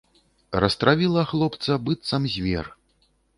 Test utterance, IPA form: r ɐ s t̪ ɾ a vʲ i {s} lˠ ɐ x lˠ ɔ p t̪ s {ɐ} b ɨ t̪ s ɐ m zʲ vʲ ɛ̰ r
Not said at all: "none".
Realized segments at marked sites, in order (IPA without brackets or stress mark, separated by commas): none, ɐ